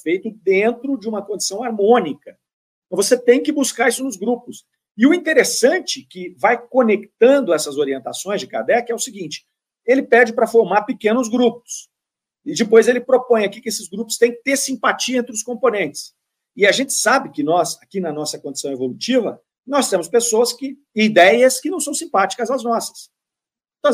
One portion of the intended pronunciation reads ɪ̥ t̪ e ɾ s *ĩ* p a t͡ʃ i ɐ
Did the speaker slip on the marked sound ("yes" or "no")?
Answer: no